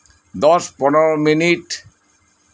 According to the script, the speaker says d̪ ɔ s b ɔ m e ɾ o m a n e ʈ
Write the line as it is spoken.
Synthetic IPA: d̪ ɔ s p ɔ n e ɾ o m i n i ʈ